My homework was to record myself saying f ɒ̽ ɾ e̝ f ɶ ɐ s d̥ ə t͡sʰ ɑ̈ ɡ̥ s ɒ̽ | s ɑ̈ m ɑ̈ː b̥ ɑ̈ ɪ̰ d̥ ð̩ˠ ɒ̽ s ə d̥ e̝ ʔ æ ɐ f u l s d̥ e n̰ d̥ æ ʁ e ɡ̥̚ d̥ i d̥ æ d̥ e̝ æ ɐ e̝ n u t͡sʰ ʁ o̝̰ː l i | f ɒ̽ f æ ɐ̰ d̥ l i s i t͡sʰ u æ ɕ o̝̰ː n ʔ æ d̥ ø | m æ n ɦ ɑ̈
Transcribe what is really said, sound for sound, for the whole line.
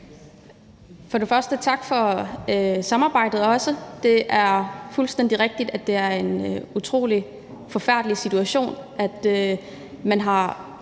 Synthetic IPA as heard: f ɒ̽ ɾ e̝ f ɶ ɐ s d̥ ə t͡sʰ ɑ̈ ɡ̥ f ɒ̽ | s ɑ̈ m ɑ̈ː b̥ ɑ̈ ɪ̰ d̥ ð̩ˠ ɒ̽ s ə d̥ e̝ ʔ æ ɐ f u l s d̥ e n̰ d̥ i ʁ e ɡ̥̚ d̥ i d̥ æ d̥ e̝ æ ɐ e̝ n u t͡sʰ ʁ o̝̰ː l i | f ɒ̽ f æ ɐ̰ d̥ l i s i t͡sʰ u æ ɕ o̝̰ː n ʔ æ d̥ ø | m æ n ɦ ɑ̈